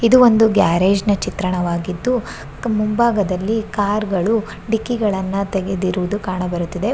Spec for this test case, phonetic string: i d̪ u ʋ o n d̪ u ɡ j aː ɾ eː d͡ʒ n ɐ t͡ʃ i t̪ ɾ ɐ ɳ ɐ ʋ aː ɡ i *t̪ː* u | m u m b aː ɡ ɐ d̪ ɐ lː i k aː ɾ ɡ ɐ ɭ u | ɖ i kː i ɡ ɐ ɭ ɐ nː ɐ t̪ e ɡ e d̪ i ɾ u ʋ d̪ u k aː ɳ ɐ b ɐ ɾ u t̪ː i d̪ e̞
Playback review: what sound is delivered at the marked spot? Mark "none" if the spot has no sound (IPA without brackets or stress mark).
d̪ː